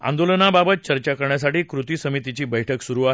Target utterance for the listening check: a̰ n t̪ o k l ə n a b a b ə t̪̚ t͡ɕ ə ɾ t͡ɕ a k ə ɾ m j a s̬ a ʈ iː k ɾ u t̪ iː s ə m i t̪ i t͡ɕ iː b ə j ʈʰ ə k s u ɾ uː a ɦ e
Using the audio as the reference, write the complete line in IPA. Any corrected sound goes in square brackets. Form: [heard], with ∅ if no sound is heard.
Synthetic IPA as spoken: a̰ n [d̪] o [∅] l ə n a b a b ə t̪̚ t͡ɕ ə ɾ t͡ɕ a k ə ɾ [ɳ] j a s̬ a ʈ iː k ɾ u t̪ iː s ə m i t̪ i t͡ɕ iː b ə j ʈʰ ə k s u ɾ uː a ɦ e